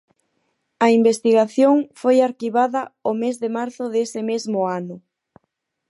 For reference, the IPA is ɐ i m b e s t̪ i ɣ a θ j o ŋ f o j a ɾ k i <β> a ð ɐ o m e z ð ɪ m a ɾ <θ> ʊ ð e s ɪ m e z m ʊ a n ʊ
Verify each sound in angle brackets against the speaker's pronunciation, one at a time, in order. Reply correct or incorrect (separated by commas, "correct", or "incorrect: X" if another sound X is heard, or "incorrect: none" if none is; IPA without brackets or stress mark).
correct, correct